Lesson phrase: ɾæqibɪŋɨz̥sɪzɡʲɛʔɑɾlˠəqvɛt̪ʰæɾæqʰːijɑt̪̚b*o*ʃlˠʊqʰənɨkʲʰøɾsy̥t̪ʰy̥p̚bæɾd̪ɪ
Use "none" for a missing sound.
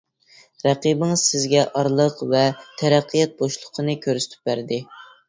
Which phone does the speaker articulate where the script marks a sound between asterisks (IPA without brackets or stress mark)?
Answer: o